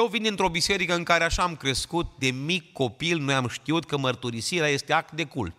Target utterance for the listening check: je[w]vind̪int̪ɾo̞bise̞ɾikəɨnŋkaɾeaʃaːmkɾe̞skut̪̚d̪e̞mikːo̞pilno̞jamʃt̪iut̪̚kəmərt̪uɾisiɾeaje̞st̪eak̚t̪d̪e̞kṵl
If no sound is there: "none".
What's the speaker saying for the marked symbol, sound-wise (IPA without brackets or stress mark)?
w